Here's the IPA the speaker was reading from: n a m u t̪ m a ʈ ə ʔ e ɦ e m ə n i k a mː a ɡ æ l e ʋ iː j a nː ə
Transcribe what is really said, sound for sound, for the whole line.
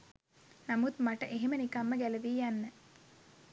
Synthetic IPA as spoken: n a m u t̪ m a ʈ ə ʔ e ɦ e m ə n i k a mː ə ɡ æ l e ʋ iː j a nː ə